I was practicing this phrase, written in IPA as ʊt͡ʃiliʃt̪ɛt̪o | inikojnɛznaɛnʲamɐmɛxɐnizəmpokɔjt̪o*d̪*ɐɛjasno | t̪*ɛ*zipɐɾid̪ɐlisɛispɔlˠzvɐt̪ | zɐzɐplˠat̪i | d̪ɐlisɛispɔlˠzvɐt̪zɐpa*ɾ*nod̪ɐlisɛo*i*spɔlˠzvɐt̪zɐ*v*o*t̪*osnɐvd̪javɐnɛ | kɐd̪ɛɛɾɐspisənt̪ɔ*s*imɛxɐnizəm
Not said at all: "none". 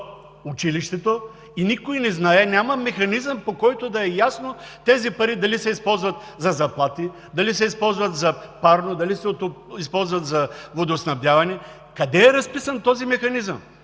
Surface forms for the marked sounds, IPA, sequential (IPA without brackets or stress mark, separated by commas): d̪, ɛ, ɾ, i, v, d̪, z